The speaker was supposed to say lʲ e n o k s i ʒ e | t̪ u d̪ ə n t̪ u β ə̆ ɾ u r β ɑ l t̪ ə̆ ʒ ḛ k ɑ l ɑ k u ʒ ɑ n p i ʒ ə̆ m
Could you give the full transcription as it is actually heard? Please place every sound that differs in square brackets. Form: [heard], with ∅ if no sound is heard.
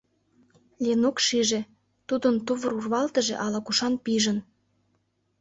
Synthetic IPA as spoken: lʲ e n o k [ʃ] i ʒ e | t̪ u d̪ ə n t̪ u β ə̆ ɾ u r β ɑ l t̪ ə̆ ʒ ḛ [ʔ] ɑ l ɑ k u [ʃ] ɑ n p i ʒ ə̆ [n]